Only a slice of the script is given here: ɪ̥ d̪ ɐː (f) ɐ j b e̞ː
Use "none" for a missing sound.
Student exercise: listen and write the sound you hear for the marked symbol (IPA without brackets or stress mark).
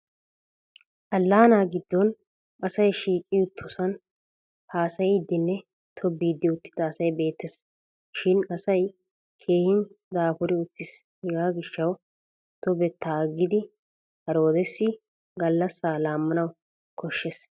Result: s